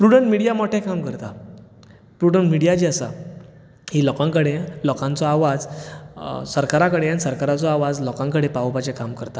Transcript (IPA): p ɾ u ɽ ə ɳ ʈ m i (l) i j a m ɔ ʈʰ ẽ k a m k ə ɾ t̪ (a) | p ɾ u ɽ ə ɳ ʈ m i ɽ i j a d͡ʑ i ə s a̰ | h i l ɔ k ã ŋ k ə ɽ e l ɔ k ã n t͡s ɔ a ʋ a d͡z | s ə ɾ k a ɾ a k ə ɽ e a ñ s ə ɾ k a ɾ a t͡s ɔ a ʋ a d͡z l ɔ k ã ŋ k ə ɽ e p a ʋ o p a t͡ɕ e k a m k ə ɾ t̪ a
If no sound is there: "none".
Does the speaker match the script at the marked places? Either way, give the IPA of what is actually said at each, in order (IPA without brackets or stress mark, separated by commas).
ɽ, a